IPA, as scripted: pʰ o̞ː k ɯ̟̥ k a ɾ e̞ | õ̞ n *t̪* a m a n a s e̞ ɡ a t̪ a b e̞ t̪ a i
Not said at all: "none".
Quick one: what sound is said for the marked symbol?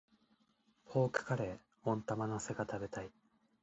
t̪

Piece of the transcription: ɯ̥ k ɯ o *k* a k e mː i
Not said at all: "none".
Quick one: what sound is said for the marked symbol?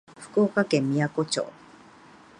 k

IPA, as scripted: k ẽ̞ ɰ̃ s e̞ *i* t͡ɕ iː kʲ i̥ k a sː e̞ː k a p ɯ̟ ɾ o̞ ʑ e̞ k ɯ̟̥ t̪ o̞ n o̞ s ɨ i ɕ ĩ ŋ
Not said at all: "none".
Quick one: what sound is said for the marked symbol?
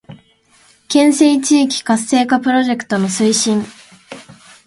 i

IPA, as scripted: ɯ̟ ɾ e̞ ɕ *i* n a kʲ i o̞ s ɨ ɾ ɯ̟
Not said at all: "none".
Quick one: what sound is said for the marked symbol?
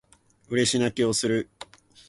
i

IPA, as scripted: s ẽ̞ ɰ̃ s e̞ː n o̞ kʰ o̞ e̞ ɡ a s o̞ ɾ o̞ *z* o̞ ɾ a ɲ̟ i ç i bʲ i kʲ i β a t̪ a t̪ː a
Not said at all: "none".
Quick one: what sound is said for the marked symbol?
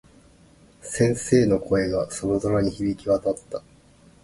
z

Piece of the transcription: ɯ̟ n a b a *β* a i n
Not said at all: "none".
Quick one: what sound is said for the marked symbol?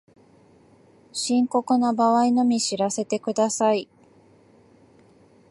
β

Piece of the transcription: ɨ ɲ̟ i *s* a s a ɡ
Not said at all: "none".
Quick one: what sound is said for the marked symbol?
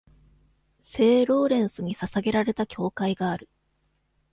s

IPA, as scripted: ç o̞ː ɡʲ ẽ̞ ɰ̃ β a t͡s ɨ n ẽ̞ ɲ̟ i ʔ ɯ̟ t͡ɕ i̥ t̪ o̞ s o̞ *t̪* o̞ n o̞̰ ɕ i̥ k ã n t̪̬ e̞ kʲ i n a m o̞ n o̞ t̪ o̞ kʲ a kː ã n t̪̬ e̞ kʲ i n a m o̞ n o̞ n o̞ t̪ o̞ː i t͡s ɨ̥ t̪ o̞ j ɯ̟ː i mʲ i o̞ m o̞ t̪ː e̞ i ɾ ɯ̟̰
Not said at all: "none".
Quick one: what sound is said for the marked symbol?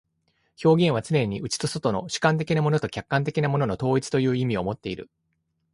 t̪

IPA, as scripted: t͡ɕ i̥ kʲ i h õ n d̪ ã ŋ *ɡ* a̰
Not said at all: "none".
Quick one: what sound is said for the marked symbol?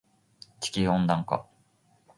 k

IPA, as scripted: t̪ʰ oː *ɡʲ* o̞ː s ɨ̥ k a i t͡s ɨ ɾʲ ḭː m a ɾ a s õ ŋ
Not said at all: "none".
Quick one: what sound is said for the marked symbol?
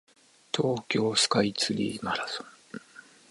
kʲ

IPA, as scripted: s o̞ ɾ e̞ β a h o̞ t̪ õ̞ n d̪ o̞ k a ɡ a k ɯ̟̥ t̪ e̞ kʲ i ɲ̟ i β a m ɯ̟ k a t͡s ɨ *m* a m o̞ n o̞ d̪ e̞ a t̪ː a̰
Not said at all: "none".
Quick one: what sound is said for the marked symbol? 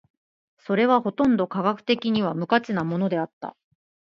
n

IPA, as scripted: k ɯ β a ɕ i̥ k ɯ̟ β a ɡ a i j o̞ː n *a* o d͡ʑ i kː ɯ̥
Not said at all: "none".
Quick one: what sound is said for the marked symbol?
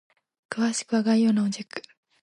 a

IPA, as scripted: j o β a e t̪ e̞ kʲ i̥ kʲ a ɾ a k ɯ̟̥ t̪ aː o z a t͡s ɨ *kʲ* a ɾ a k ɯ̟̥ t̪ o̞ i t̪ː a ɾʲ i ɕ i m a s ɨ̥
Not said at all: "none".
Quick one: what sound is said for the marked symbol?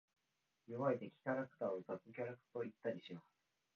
kʲ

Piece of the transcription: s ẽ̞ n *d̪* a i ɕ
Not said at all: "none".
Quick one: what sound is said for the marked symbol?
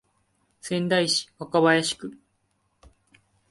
d̪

